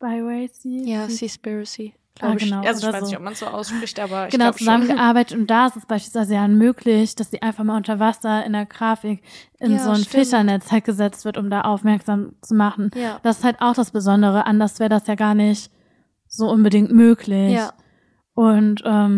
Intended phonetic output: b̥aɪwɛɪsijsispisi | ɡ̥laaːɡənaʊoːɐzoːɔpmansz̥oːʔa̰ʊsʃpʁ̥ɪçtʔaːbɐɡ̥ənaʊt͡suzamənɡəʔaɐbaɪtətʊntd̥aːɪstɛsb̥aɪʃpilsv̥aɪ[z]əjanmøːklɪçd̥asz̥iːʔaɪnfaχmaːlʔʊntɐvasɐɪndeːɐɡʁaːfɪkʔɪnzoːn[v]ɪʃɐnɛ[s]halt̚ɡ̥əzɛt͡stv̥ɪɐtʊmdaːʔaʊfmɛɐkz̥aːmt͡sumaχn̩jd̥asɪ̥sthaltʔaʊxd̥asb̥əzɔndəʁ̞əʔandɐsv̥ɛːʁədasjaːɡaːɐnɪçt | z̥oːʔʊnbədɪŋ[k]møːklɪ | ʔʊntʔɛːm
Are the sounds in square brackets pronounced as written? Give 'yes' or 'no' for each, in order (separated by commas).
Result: yes, no, no, no